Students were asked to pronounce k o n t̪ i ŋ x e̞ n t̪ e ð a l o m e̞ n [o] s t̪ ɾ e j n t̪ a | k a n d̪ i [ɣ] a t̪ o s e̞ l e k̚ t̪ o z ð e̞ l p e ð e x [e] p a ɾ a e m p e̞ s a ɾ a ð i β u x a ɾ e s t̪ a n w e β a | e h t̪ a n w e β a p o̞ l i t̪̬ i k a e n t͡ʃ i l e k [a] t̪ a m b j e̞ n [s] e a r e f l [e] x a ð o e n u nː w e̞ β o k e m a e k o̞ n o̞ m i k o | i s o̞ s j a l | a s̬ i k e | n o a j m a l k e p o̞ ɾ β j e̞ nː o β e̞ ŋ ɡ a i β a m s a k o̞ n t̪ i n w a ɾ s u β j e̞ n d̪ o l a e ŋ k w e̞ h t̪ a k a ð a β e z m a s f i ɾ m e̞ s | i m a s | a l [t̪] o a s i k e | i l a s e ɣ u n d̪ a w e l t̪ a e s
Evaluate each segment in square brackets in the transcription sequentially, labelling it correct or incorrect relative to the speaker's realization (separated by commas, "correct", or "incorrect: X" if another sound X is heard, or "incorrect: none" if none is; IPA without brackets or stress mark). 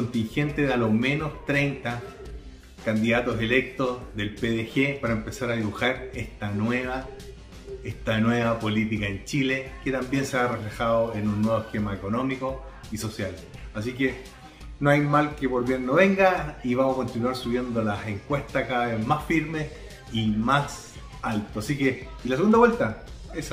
correct, incorrect: ð, correct, incorrect: e, correct, correct, correct